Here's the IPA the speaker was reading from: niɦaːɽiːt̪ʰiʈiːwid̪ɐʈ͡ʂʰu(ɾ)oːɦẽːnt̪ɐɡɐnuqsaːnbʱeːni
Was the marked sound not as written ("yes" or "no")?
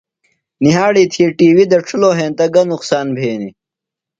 yes